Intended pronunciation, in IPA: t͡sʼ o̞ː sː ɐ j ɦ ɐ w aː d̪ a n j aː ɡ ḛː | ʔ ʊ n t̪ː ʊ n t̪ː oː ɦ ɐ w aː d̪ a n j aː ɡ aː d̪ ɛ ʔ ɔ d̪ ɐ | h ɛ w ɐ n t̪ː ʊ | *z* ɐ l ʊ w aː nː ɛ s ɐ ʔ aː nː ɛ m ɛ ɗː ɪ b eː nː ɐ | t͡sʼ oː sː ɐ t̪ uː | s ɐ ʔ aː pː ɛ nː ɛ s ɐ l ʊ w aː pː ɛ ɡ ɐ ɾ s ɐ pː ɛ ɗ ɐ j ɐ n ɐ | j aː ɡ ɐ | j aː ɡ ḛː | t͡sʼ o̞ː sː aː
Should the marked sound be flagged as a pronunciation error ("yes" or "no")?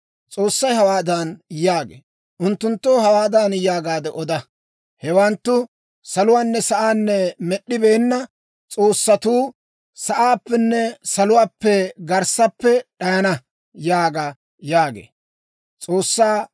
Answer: yes